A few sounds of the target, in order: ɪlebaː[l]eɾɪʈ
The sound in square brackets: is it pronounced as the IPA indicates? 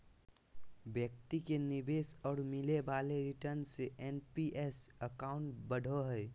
yes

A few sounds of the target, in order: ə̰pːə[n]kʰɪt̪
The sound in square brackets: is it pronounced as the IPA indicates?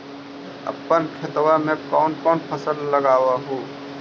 yes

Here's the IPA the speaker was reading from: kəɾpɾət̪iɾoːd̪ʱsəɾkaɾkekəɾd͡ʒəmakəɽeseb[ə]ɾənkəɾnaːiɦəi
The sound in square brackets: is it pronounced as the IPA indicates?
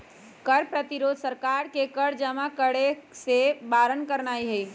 no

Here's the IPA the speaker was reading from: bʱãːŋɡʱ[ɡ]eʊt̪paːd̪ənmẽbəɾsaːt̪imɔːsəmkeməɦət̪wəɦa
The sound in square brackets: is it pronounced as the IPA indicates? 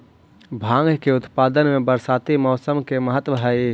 no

